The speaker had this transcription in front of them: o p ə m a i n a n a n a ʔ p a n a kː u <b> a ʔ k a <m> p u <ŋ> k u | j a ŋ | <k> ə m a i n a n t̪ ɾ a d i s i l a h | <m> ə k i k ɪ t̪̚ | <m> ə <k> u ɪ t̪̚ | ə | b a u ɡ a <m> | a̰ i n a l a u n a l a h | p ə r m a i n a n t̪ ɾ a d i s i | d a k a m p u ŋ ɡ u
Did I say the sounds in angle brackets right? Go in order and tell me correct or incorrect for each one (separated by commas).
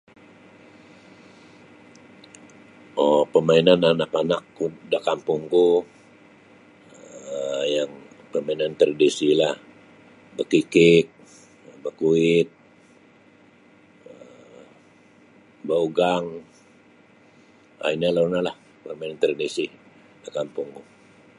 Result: incorrect, correct, correct, incorrect, incorrect, incorrect, correct, incorrect